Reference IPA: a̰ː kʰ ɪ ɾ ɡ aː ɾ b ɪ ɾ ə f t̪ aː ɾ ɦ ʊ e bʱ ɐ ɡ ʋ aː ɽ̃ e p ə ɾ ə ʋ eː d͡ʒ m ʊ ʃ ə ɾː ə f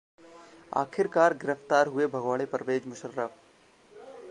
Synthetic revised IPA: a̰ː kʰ ɪ ɾ k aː ɾ ɡ ɪ ɾ ə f t̪ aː ɾ ɦ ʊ e bʱ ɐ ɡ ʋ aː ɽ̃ e p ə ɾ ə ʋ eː d͡ʒ m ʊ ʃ ə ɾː ə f